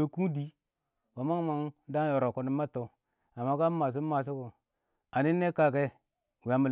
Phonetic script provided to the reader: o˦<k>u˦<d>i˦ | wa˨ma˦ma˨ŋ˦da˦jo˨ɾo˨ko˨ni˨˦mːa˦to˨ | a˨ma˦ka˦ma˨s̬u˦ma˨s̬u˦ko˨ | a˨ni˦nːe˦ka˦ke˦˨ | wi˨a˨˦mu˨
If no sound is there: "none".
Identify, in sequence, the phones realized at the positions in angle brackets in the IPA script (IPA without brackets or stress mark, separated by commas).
k, d